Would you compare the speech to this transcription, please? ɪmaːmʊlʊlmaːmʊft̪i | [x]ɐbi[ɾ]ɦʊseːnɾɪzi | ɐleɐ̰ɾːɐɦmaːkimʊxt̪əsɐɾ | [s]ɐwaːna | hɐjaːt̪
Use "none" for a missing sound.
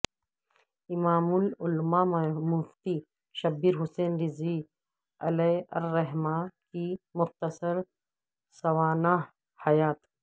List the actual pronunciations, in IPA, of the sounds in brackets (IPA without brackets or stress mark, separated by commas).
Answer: ʃ, ɾ, s